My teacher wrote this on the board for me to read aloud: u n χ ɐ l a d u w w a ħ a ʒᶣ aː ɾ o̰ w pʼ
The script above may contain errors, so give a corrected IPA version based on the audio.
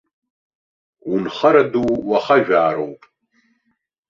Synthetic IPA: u n χ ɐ ɾ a d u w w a χ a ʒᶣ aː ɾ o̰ w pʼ